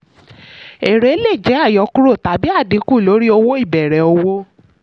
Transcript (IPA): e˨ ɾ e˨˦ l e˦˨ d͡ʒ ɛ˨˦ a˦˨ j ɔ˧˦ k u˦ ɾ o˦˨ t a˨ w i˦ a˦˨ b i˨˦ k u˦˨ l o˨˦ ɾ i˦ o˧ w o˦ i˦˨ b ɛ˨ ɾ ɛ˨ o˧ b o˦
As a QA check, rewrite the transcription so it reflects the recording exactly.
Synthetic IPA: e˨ ɾ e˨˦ l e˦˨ d͡ʒ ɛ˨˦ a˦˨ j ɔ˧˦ k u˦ ɾ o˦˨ t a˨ b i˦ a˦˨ d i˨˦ k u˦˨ l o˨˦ ɾ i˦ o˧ w o˦ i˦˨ b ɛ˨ ɾ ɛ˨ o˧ w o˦